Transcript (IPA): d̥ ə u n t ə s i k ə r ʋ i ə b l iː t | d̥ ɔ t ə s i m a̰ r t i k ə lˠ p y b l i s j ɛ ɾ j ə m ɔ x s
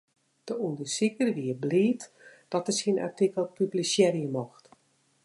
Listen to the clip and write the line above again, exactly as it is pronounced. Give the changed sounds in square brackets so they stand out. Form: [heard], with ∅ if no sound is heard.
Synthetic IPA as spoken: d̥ ə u n [d] ə s i k ə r ʋ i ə b l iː t | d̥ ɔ t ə s i [n] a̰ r t i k ə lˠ p y b l i s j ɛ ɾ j ə m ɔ x [t]